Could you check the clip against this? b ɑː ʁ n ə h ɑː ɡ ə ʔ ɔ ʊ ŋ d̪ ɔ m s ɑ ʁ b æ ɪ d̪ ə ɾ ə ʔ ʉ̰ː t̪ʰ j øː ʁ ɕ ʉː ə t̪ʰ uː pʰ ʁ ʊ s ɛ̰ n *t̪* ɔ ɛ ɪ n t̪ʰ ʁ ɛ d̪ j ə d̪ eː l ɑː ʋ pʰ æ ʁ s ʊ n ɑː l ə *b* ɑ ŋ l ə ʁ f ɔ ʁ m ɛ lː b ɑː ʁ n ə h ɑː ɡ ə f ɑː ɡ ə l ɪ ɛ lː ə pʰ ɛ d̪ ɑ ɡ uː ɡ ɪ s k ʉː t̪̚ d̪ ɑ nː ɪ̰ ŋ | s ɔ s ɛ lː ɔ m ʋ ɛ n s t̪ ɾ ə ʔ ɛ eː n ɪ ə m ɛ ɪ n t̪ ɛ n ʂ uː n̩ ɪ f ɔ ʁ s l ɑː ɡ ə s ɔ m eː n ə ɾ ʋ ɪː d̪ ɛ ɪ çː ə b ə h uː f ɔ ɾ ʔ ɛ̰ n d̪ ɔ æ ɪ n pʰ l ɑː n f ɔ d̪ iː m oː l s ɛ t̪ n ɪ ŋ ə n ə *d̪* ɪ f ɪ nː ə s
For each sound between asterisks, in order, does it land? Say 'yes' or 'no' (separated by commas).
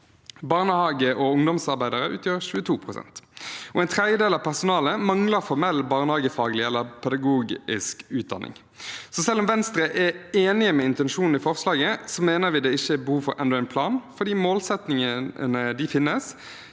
yes, no, yes